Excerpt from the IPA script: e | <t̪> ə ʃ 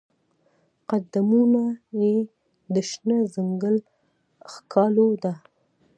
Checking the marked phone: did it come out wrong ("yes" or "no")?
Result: yes